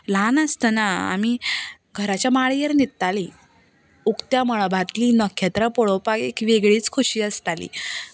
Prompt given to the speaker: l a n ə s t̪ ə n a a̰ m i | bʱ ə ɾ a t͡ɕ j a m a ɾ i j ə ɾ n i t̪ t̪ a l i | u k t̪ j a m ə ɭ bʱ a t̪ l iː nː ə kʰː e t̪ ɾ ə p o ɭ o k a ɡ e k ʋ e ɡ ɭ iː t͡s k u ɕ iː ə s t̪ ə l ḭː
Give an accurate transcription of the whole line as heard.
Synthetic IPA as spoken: l a n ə s t̪ ə n a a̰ m i | ɡʱ ə ɾ a t͡ɕ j a m a ɭ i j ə ɾ n i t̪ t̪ a l i | u k t̪ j a m ə ɭ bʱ a t̪ l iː n ə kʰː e t̪ ɾ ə p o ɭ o p a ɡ e k ʋ e ɡ ɭ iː t͡s kʰ u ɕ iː ə s t̪ a l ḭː